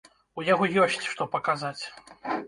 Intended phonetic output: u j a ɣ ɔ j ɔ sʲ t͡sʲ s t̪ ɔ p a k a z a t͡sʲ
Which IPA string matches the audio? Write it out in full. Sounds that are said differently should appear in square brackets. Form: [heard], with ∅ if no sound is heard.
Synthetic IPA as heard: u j a ɣ ɔ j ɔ sʲ t͡sʲ [ʂ] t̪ ɔ p [ɐ] k a z a t͡sʲ